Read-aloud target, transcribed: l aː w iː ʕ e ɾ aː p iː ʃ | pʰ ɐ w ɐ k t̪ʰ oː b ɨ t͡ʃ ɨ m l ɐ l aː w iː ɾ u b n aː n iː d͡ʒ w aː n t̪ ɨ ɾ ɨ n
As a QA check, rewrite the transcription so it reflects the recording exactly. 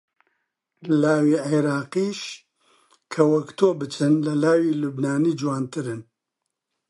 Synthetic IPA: l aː w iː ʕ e ɾ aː q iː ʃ | kʰ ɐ w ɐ k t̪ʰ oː b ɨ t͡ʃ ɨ n l ɐ l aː w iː l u b n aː n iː d͡ʒ w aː n t̪ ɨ ɾ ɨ n